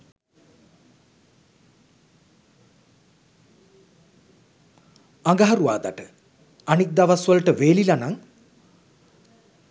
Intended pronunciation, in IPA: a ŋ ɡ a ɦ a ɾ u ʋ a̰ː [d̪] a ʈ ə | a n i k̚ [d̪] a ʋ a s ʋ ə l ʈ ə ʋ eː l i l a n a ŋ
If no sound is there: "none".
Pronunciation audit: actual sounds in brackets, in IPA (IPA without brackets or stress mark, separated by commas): d̪, d̪